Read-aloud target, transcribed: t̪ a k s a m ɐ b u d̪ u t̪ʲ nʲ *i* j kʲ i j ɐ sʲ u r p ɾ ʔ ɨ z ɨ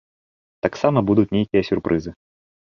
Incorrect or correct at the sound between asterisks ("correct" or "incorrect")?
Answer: incorrect